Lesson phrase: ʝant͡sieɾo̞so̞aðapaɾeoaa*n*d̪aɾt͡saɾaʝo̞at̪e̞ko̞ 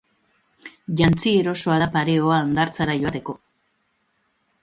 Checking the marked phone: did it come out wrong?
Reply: no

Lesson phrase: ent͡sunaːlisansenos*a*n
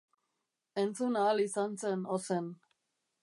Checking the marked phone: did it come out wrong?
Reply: yes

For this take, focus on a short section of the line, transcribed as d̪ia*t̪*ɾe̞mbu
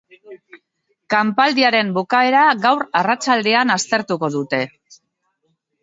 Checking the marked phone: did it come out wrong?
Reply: yes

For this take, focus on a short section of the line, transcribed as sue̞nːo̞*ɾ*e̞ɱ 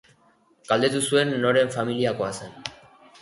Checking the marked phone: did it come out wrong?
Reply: no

